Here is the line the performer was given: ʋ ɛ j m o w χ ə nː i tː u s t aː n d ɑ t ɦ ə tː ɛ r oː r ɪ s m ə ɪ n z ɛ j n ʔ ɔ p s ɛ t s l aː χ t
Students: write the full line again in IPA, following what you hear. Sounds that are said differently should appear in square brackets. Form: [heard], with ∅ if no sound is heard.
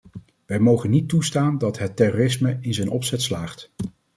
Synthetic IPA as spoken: ʋ ɛ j m o w χ ə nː i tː u s t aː n d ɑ t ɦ ə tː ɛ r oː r ɪ s m ə ɪ n z ɛ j n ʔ ɔ p s ɛ t s l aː χ t